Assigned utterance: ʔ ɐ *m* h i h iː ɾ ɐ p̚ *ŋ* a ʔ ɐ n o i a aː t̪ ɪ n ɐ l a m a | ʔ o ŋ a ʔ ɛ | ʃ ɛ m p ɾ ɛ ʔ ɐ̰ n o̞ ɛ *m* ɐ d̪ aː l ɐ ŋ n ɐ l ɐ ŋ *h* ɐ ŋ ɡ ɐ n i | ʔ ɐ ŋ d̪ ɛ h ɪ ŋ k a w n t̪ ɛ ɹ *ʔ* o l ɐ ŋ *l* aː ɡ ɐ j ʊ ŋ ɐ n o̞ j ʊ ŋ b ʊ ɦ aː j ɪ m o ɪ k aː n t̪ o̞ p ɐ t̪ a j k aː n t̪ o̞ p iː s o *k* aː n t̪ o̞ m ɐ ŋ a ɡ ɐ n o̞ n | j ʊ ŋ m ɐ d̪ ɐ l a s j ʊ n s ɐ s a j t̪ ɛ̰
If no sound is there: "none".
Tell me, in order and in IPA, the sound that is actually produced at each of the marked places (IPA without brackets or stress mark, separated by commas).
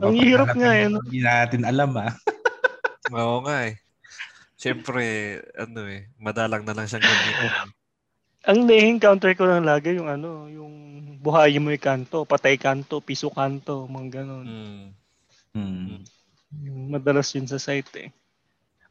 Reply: ŋ, ŋ, m, ʃ, k, l, k